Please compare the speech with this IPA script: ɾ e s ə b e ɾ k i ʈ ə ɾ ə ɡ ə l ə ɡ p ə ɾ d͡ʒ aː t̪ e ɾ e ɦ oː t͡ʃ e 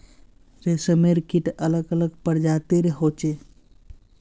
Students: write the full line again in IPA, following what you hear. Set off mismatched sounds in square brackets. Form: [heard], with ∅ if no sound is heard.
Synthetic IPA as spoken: ɾ e s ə [m] e ɾ k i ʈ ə [l] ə ɡ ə l ə ɡ p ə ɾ d͡ʒ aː t̪ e ɾ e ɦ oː t͡ʃ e